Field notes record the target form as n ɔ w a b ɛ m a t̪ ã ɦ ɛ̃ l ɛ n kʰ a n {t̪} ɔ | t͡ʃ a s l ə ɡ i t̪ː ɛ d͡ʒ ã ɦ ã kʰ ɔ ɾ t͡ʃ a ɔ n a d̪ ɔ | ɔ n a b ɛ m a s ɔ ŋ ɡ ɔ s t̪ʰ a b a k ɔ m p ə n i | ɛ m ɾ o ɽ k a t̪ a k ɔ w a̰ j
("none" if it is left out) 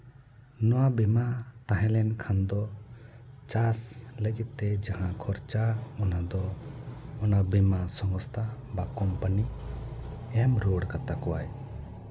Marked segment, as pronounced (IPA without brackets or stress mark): d̪